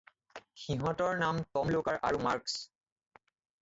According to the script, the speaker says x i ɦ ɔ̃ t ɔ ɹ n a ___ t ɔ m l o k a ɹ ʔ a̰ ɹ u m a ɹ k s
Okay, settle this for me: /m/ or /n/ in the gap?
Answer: m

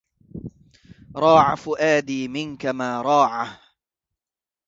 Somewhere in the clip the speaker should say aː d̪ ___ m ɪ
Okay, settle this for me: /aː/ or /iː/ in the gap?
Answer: iː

